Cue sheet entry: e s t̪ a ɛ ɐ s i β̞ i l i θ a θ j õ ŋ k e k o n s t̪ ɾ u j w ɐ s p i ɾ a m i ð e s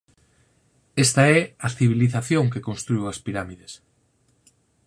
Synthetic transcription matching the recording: e s t̪ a ɛ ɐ θ i β̞ i l i θ a θ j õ ŋ k e k o n s t̪ ɾ u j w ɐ s p i ɾ a m i ð e s